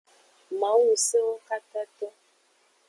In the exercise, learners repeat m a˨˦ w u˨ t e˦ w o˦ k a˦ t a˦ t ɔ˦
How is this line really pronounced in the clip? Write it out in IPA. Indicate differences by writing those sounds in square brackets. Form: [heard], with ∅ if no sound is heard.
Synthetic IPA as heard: m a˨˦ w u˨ [s] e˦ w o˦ k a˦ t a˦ t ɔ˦